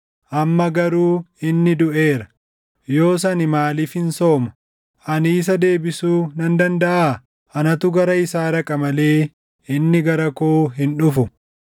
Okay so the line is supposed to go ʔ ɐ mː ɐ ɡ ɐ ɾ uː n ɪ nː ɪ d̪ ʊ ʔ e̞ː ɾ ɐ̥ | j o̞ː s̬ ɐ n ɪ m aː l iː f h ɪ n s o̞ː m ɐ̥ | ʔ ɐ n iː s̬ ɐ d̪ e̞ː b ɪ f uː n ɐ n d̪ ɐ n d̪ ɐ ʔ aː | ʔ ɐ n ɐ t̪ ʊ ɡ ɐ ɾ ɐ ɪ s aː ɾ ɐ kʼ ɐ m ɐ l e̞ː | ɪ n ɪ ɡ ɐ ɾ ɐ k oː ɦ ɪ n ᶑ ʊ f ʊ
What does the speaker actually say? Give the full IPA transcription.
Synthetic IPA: ʔ ɐ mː ɐ ɡ ɐ ɾ uː ɪ nː ɪ d̪ ʊ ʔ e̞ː ɾ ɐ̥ | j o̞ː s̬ ɐ n ɪ m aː l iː f h ɪ n s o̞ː m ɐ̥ | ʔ ɐ n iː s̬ ɐ d̪ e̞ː b ɪ s uː n ɐ n d̪ ɐ n d̪ ɐ ʔ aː | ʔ ɐ n ɐ t̪ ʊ ɡ ɐ ɾ ɐ ɪ s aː ɾ ɐ kʼ ɐ m ɐ l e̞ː | ɪ nː ɪ ɡ ɐ ɾ ɐ k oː ɦ ɪ n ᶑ ʊ f ʊ

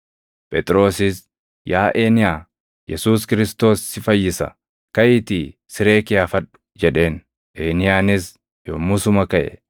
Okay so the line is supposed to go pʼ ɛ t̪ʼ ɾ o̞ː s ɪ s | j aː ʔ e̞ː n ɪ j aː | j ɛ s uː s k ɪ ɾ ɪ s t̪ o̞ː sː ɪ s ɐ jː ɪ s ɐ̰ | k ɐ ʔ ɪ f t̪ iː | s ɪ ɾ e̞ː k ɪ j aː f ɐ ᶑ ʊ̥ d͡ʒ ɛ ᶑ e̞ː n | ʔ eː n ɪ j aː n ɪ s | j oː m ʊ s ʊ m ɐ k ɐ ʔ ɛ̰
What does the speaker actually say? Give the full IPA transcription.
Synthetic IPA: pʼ ɛ t̪ʼ ɾ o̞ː s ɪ s | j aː ʔ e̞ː n ɪ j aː | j ɛ s uː s k ɪ ɾ ɪ s t̪ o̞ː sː ɪ f ɐ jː ɪ s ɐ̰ | k ɐ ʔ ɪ t̪ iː | s ɪ ɾ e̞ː k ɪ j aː f ɐ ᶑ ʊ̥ d͡ʒ ɛ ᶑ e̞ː n | ʔ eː n ɪ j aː n ɪ s | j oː m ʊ s ʊ m ɐ k ɐ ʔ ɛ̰

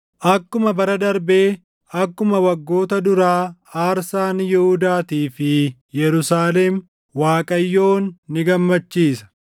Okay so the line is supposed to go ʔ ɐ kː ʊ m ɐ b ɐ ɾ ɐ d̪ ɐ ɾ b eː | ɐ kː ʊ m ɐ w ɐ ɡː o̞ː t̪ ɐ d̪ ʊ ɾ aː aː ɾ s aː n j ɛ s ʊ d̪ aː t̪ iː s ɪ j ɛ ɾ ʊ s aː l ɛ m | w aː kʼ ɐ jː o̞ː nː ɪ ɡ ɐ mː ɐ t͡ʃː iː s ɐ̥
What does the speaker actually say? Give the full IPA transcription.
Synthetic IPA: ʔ ɐ kː ʊ m ɐ b ɐ ɾ ɐ d̪ ɐ ɾ b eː | ɐ kː ʊ m ɐ w ɐ ɡː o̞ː t̪ ɐ d̪ ʊ ɾ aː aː ɾ s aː n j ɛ h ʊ d̪ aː t̪ iː f ɪ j ɛ ɾ ʊ s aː l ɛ m | w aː kʼ ɐ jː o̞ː nː ɪ ɡ ɐ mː ɐ t͡ʃː iː s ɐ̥

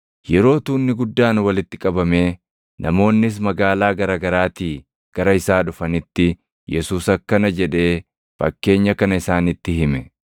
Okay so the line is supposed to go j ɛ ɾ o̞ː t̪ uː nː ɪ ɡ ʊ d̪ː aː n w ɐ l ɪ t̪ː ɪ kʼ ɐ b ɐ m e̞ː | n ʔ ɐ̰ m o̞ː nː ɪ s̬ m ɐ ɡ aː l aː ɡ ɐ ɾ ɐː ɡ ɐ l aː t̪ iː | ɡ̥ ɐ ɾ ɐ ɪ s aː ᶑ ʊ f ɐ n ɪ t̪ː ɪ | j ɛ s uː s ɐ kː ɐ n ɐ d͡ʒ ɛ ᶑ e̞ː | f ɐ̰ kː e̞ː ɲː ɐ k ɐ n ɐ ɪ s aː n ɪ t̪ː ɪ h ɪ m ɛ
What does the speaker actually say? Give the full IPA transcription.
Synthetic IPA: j ɛ ɾ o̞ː t̪ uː nː ɪ ɡ ʊ d̪ː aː n w ɐ l ɪ t̪ː ɪ kʼ ɐ b ɐ m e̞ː | n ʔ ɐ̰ m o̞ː nː ɪ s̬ m ɐ ɡ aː l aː ɡ ɐ ɾ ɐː ɡ ɐ ɾ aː t̪ iː | ɡ̥ ɐ ɾ ɐ ɪ s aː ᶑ ʊ f ɐ n ɪ t̪ː ɪ | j ɛ s uː s ɐ kː ɐ n ɐ d͡ʒ ɛ ᶑ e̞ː | f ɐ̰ kː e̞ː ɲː ɐ k ɐ n ɐ ɪ s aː n ɪ t̪ː ɪ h ɪ m ɛ

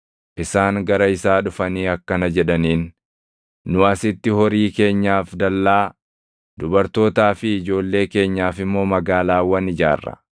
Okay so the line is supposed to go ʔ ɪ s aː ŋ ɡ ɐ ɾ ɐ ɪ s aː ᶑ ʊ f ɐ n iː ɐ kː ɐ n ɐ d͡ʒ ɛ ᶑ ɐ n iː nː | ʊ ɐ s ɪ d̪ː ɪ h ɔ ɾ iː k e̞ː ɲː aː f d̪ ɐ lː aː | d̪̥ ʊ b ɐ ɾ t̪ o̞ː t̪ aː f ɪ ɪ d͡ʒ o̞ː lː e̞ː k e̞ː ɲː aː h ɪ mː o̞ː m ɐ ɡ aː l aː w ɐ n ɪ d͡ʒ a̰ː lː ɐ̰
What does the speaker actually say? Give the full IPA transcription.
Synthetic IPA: ʔ ɪ s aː ŋ ɡ ɐ ɾ ɐ ɪ s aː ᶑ ʊ f ɐ n iː ɐ kː ɐ n ɐ d͡ʒ ɛ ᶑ ɐ n iː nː | ʊ ɐ s ɪ t̪ː ɪ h ɔ ɾ iː k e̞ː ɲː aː f d̪ ɐ lː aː | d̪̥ ʊ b ɐ ɾ t̪ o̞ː t̪ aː f ɪ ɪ d͡ʒ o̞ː lː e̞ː k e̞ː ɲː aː f ɪ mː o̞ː m ɐ ɡ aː l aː w ɐ n ɪ d͡ʒ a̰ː rː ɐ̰

